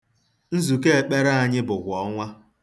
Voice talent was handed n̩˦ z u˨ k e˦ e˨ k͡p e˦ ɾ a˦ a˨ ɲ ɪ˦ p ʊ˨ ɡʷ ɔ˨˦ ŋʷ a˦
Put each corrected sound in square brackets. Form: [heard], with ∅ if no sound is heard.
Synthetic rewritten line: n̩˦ z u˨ k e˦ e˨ k͡p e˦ ɾ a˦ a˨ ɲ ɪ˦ [b] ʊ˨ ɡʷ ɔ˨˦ ŋʷ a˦